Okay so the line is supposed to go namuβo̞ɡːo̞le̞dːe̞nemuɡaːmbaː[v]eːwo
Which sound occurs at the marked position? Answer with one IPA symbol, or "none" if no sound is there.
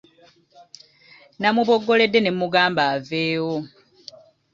v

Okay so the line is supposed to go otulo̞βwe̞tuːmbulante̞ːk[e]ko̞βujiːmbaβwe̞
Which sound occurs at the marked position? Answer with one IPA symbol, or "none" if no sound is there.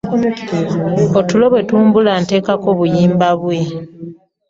a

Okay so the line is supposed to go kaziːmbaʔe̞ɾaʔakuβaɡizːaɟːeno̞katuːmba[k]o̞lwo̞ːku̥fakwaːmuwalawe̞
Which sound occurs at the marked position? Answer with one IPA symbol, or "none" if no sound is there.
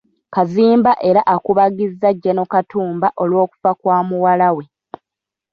ʔ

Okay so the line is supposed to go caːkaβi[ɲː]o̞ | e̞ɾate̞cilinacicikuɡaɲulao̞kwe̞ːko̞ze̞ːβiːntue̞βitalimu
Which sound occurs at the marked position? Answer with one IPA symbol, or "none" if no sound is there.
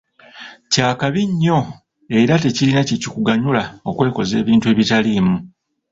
ɲː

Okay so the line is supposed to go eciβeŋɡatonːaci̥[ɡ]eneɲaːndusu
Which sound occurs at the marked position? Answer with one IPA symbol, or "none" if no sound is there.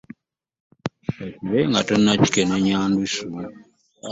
k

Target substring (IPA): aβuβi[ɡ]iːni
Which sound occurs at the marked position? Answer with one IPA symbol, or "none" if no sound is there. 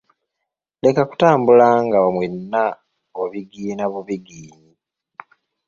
ɡ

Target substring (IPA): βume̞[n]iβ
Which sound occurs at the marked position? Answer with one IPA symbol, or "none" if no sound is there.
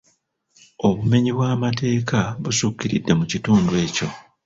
ɲ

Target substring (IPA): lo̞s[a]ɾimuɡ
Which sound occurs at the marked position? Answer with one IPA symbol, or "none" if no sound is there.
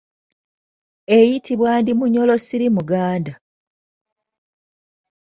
i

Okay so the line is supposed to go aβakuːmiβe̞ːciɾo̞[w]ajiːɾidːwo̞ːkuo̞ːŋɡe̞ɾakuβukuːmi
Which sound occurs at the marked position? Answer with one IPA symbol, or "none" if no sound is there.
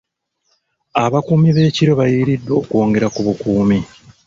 β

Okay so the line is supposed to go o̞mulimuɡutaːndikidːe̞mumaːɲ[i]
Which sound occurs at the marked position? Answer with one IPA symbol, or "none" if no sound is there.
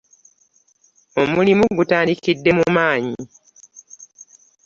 i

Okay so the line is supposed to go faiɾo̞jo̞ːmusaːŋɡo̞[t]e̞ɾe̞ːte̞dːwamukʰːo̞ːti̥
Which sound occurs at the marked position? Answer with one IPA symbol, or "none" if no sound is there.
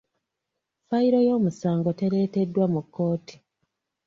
t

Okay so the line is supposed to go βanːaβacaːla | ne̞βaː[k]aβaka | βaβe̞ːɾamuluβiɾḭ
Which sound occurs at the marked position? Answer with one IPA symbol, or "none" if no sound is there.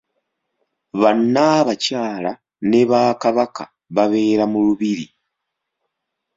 k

